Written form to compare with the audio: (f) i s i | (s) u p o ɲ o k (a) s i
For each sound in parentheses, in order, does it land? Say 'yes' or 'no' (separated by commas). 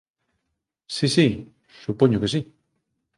no, yes, no